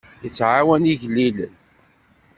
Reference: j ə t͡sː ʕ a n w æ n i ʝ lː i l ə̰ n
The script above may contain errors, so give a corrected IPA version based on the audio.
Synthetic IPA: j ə t͡sː ʕ a w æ n i ʝ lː i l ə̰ n